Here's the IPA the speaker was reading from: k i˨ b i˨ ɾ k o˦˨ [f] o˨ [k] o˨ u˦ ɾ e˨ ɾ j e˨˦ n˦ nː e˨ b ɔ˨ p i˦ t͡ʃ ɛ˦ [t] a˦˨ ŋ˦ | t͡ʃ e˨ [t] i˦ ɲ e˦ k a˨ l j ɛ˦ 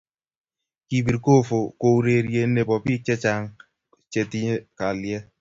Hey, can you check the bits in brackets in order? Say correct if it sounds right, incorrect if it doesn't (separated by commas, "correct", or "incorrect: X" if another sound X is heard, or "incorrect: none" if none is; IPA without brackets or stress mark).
correct, correct, incorrect: t͡ʃ, correct